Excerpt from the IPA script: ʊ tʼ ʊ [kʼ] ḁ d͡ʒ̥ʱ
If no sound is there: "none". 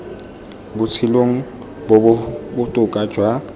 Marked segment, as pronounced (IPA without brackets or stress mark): kʼ